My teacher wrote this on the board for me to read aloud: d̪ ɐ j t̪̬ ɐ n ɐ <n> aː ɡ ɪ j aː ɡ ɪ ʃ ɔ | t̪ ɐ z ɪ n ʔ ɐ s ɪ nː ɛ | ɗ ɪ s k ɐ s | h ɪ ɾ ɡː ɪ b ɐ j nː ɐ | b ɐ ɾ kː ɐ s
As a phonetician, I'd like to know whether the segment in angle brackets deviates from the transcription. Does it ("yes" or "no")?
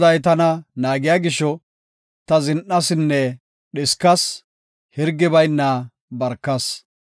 no